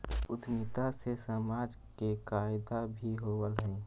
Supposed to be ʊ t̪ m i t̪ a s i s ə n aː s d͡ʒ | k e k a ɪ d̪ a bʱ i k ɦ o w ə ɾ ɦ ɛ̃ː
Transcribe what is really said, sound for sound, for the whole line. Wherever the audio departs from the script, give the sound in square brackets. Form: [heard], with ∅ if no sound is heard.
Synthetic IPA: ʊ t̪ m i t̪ a s [e] s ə [m] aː [∅] d͡ʒ | k e k a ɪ d̪ a bʱ i [∅] ɦ o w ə [l] ɦ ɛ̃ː